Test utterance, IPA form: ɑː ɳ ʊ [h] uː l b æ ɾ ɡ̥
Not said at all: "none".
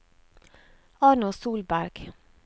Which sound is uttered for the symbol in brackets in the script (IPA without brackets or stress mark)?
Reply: s